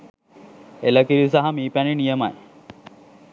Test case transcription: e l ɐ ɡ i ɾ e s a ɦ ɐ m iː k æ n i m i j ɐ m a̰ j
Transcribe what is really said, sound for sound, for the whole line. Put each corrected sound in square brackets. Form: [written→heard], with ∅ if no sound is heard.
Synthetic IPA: e l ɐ [ɡ→k] i ɾ [e→i] s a ɦ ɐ m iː [k→p] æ n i [m→n] i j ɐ m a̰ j